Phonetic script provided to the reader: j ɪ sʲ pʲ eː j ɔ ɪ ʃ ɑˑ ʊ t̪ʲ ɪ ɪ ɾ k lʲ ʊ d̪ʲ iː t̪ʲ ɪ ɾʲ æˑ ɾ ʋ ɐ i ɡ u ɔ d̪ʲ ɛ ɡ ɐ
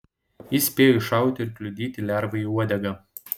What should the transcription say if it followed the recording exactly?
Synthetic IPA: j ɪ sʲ pʲ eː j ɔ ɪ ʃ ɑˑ ʊ t̪ʲ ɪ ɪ ɾ k lʲ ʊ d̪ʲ iː t̪ʲ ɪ lʲ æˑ ɾ ʋ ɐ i u ɔ d̪ʲ ɛ ɡ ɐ